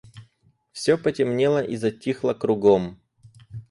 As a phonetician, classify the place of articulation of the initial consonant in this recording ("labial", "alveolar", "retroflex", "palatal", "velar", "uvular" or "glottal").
labial